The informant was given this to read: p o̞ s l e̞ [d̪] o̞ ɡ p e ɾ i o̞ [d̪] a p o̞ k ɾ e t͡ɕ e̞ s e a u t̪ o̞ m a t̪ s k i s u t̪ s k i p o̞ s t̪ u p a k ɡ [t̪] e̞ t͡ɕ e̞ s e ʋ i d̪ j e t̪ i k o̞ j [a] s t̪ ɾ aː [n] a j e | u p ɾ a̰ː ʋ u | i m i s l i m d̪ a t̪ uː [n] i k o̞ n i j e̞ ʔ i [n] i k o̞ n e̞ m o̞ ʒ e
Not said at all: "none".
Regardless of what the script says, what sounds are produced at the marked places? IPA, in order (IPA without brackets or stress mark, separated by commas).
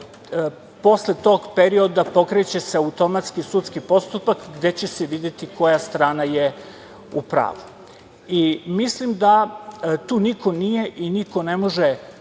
t̪, d̪, d̪, a, n, n, n